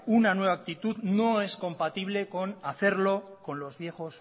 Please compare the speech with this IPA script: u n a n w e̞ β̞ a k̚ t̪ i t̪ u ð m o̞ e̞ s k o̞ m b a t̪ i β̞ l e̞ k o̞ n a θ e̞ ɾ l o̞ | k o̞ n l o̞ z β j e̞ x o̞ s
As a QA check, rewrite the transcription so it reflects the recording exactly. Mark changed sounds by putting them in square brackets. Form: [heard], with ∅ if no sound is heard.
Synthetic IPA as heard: u n a n w e̞ β̞ a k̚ t̪ i t̪ u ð [n] o̞ e̞ s k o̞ m [p] a t̪ i β̞ l e̞ k o̞ n a θ e̞ ɾ l o̞ | k o̞ n l o̞ z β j e̞ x o̞ s